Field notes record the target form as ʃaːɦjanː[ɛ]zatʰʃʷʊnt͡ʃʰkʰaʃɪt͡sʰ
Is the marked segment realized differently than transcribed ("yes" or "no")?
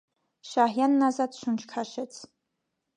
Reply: yes